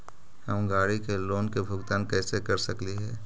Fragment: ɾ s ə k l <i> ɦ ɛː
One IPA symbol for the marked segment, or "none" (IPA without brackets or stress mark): i